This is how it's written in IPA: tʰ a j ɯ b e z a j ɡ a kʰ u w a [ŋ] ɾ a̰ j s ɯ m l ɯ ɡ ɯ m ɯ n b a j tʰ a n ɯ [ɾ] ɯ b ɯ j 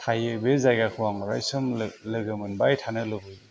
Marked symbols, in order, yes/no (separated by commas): yes, no